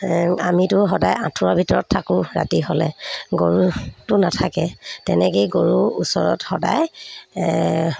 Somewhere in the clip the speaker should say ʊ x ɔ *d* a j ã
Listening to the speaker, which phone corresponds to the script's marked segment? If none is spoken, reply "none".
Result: d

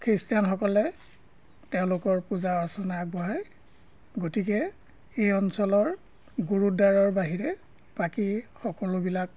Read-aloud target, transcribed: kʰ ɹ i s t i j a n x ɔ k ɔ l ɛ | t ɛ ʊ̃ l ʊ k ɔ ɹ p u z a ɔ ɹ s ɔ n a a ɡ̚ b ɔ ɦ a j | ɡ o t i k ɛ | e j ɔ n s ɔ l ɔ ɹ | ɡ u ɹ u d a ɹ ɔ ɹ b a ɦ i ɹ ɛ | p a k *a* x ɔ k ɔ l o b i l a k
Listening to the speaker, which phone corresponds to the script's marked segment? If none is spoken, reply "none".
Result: i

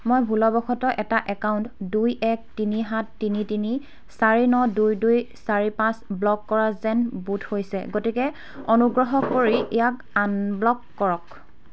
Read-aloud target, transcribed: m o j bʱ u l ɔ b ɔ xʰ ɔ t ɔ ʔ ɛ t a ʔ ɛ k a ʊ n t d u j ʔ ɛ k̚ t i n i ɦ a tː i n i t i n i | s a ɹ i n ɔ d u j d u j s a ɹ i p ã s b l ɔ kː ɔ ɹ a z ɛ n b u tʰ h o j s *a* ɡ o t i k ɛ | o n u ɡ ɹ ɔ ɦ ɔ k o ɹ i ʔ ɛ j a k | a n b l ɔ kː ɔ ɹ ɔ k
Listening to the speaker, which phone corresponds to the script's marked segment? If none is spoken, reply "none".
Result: ɛ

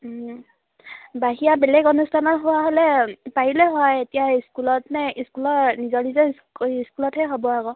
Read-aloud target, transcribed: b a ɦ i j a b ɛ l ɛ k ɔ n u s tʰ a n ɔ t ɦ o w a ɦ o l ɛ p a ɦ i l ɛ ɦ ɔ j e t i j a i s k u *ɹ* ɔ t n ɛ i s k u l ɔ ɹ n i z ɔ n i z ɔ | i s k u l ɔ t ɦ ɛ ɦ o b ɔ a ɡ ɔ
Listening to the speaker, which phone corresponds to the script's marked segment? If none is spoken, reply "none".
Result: l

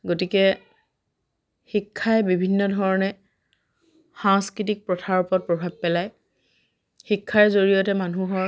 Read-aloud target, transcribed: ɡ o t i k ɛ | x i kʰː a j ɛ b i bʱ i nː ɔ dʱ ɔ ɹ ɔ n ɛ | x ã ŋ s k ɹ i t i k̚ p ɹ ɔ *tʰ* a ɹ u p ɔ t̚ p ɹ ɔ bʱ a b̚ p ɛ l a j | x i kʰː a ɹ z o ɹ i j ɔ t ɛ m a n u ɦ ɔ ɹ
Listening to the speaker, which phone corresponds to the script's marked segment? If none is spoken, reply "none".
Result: tʰ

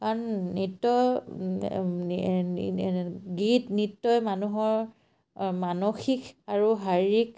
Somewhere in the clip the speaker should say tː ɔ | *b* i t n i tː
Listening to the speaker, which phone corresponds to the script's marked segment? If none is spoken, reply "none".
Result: ɡ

